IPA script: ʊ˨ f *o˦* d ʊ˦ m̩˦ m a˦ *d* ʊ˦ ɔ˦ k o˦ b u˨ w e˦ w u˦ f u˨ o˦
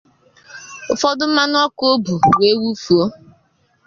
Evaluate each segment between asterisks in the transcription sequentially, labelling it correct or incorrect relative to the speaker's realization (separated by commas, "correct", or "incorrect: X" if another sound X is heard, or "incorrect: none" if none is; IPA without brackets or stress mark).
incorrect: ɔ˦, incorrect: n